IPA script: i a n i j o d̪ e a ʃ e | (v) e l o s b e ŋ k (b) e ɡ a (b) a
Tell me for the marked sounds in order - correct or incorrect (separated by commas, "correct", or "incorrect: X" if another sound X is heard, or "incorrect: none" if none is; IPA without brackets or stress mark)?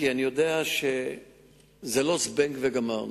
incorrect: z, incorrect: v, incorrect: m